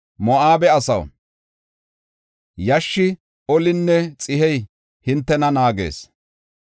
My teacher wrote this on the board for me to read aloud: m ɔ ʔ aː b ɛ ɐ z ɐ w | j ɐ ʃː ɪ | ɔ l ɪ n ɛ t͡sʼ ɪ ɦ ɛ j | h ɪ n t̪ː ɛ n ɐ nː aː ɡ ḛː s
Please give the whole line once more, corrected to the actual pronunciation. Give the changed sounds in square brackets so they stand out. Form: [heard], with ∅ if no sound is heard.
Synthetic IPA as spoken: m ɔ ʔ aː b ɛ ɐ [s] ɐ w | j ɐ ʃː ɪ | ɔ l ɪ [nː] ɛ t͡sʼ ɪ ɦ ɛ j | h ɪ n t̪ː ɛ n ɐ [n] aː ɡ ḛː s